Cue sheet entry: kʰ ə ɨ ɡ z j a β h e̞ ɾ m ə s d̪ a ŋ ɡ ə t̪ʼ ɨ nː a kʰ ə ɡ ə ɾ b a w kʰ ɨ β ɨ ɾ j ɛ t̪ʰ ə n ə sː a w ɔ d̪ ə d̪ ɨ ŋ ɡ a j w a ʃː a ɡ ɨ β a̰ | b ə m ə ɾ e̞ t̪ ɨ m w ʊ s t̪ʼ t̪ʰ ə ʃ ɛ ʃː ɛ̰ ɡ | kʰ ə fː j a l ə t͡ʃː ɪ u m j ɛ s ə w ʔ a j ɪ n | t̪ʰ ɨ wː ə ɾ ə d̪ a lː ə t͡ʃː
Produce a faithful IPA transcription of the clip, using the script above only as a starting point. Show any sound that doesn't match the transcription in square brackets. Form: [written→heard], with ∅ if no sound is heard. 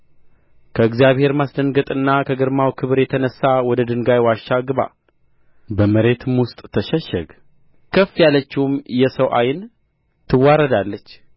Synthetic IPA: kʰ ə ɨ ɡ z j a β h e̞ ɾ m [ə→a] s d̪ [a→ə] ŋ ɡ ə t̪ʼ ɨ nː a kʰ ə ɡ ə ɾ [b→m] a w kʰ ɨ β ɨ ɾ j ɛ t̪ʰ ə n ə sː a w ɔ d̪ ə d̪ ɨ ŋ ɡ a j w a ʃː a ɡ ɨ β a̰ | b ə m ə ɾ e̞ t̪ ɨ m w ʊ s t̪ʼ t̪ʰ ə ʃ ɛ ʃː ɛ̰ ɡ | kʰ ə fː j a l ə t͡ʃː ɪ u m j ɛ s ə w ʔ a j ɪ n | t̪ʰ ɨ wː [ə→a] ɾ ə d̪ a lː ə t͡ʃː